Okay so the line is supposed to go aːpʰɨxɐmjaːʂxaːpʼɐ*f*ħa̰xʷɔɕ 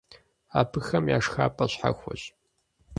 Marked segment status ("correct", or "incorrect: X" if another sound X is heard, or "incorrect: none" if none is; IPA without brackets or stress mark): incorrect: ɕ